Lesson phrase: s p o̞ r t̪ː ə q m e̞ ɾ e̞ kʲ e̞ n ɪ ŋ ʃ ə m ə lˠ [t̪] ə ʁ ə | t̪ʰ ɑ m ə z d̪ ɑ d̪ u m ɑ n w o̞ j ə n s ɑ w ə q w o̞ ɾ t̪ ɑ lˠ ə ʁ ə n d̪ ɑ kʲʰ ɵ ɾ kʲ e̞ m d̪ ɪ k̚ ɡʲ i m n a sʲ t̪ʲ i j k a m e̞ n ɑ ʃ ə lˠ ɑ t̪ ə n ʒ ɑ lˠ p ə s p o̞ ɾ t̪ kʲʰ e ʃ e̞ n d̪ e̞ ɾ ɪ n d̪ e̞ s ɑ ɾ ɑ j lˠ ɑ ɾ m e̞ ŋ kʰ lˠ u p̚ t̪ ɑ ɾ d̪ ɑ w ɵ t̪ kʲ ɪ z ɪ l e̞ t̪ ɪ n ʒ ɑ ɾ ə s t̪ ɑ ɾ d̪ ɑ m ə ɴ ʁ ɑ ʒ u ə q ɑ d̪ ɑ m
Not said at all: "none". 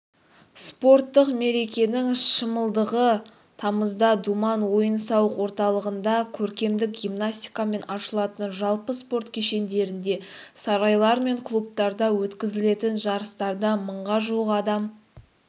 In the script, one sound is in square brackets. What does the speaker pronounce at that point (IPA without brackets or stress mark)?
d̪